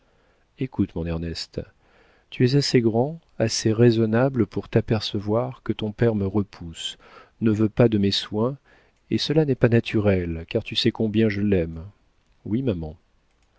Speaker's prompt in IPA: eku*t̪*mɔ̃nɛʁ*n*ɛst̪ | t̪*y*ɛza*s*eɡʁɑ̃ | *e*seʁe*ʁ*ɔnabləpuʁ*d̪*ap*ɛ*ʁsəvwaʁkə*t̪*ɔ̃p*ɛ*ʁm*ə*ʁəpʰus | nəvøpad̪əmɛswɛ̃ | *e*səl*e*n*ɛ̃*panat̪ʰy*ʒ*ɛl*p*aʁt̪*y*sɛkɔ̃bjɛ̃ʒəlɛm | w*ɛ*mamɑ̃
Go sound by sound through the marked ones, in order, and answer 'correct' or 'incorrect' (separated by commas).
correct, correct, correct, correct, incorrect, incorrect, incorrect, correct, correct, correct, correct, correct, incorrect, incorrect, incorrect, incorrect, correct, incorrect